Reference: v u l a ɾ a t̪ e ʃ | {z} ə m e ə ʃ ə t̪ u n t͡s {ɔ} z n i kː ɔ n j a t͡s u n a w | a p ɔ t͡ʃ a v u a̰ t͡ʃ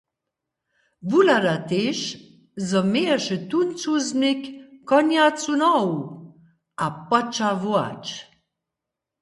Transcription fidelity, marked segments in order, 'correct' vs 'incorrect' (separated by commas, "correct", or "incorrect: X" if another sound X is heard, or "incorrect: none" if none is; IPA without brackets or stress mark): correct, incorrect: u